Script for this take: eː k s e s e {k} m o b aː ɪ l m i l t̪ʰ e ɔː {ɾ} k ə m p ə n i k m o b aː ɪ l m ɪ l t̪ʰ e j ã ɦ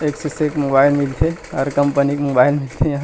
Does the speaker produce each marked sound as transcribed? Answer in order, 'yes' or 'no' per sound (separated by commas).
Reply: yes, yes